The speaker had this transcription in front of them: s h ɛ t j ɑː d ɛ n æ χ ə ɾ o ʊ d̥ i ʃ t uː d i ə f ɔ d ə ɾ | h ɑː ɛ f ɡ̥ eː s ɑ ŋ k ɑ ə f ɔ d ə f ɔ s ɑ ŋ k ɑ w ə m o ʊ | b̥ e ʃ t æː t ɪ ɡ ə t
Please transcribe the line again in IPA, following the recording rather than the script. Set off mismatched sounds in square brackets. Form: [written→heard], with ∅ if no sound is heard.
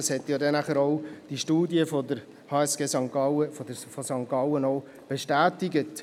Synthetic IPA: s h ɛ t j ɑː d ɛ n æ χ ə ɾ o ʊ d̥ i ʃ t uː d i ə f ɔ d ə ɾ | h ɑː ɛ [f→s] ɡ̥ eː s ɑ ŋ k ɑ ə f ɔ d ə f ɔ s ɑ ŋ k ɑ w ə [m→n] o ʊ | b̥ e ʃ t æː t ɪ ɡ ə t